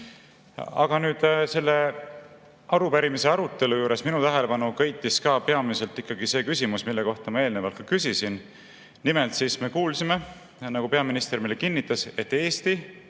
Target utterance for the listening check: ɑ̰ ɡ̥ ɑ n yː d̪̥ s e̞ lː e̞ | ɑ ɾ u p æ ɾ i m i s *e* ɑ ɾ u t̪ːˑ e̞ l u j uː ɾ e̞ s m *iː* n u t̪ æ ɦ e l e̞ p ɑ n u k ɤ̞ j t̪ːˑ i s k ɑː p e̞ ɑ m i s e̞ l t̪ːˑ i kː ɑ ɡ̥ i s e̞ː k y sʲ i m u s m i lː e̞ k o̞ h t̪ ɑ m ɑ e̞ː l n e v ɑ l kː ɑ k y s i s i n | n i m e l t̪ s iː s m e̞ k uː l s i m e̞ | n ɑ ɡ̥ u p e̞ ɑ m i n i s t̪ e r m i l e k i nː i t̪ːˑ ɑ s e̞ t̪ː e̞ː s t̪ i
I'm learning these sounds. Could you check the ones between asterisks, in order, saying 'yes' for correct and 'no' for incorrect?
yes, no

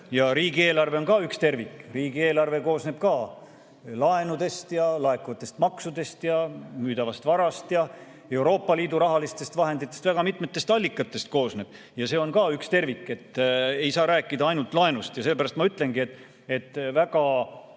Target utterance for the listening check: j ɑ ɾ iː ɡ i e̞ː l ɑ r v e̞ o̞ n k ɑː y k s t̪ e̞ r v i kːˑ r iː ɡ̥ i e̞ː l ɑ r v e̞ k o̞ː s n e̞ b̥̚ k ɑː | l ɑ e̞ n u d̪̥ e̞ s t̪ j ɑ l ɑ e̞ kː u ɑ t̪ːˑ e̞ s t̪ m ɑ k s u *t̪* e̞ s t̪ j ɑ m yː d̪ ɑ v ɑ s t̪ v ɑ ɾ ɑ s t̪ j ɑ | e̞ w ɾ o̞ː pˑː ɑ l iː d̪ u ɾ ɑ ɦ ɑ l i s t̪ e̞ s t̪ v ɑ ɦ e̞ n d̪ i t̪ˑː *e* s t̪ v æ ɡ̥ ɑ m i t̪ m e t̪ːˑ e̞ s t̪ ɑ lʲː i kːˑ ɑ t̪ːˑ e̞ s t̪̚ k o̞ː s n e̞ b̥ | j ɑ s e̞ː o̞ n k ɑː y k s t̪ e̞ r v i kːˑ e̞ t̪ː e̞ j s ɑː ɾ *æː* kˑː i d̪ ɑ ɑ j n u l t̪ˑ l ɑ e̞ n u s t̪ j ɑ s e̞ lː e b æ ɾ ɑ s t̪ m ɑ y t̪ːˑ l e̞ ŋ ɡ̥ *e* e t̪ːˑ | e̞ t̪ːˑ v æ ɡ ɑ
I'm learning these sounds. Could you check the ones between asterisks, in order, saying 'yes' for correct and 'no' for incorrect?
no, yes, yes, no

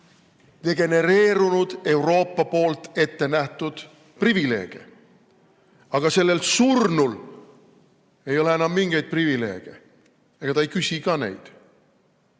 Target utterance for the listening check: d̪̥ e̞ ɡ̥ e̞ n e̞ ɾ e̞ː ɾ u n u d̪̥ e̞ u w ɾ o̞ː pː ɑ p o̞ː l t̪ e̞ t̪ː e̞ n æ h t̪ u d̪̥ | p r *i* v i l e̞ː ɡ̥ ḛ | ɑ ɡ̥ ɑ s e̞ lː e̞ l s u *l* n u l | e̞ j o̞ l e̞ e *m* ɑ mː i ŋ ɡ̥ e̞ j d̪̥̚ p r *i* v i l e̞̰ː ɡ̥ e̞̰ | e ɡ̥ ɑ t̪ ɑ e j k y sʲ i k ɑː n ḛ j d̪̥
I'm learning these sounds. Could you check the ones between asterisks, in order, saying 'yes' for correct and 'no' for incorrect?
yes, no, no, yes

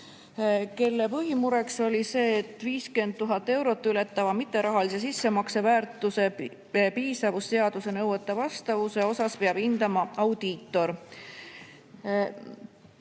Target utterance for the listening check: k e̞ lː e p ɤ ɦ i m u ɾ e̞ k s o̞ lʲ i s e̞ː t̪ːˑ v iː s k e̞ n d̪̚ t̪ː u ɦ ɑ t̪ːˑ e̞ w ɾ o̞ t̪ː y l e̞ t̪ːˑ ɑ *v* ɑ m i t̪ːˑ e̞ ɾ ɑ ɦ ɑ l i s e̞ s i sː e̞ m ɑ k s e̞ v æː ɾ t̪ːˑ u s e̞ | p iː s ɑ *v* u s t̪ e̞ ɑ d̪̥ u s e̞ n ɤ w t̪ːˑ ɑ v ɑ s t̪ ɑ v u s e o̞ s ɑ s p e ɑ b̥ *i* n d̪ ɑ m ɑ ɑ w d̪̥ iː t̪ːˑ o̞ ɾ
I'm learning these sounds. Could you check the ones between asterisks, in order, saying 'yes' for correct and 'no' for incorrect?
yes, yes, yes

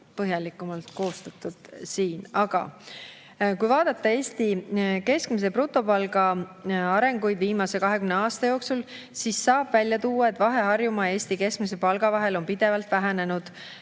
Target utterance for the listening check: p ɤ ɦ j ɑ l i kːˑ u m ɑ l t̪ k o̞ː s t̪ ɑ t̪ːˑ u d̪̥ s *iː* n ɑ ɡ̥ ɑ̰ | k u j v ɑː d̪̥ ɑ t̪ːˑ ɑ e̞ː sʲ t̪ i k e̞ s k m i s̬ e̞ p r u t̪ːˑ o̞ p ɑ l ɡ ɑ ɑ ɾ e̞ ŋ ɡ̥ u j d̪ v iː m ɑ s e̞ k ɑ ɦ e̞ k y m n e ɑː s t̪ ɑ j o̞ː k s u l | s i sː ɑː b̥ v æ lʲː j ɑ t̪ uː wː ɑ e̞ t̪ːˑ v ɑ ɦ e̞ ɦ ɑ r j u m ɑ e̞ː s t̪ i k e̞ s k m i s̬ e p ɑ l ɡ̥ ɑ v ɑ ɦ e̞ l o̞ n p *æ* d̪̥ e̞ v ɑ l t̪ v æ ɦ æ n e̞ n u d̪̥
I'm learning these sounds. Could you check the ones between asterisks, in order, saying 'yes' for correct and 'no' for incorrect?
yes, no

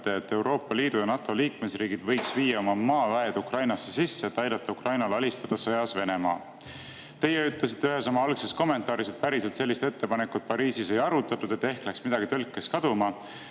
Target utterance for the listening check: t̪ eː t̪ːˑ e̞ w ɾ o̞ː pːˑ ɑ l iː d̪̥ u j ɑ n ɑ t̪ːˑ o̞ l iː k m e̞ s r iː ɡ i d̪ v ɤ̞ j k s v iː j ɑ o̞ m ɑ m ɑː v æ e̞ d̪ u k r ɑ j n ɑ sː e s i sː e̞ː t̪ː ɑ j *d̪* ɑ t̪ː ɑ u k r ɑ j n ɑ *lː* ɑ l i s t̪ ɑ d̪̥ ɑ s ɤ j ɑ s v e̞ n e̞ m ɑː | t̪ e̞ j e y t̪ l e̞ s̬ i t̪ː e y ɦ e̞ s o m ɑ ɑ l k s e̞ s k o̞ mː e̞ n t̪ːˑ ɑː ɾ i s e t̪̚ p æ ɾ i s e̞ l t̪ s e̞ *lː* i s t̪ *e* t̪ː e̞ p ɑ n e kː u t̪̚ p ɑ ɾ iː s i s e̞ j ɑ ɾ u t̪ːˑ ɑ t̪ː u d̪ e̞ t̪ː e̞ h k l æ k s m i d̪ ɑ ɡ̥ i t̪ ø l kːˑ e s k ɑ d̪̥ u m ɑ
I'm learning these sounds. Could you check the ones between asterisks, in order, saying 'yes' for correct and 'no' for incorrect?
yes, no, yes, yes

